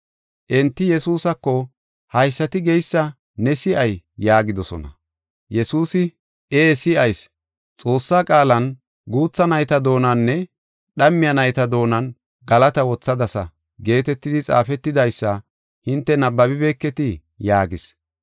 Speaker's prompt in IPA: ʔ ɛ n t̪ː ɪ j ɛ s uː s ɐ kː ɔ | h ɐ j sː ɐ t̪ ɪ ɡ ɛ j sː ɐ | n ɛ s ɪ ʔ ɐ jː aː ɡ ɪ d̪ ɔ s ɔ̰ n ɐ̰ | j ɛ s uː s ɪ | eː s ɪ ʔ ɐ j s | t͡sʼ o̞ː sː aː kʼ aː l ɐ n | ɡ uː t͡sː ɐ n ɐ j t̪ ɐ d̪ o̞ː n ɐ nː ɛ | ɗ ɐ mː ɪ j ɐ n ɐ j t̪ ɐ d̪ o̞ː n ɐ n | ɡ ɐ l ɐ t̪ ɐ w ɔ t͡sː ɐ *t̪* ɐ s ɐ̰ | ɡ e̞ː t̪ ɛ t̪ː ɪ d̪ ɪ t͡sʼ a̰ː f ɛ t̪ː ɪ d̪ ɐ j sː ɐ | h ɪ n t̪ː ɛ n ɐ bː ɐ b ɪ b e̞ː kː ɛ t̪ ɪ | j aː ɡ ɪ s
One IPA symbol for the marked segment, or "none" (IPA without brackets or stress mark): d̪